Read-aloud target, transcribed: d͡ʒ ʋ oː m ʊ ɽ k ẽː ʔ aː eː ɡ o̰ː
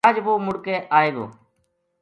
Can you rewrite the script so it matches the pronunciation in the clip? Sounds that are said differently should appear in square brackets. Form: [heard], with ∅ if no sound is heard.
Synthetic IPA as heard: d͡ʒ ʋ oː m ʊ ɽ k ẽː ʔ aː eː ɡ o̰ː